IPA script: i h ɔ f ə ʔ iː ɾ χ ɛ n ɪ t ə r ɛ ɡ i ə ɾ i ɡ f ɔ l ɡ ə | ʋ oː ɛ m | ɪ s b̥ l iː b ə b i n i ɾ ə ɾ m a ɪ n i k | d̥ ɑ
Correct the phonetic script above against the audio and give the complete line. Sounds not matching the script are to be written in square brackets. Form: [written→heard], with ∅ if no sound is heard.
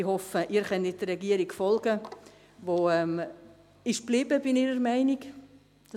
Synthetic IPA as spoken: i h ɔ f ə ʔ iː ɾ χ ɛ n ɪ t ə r ɛ ɡ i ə ɾ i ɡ f ɔ l ɡ ə | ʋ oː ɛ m | ɪ [s→ʃ] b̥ l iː b ə b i n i ɾ ə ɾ m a ɪ n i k | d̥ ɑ